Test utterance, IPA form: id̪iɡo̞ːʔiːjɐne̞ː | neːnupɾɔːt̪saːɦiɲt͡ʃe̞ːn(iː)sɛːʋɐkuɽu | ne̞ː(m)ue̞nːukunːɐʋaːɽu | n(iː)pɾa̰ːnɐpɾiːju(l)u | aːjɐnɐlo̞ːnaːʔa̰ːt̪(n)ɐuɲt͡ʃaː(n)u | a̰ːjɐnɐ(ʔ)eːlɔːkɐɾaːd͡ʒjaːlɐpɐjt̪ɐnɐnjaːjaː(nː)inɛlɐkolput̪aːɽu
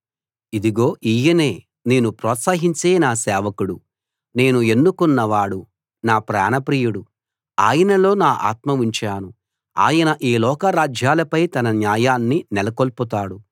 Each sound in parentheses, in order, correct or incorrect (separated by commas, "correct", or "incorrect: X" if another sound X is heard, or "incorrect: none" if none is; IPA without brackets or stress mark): incorrect: aː, incorrect: n, incorrect: aː, incorrect: ɽ, incorrect: m, correct, correct, correct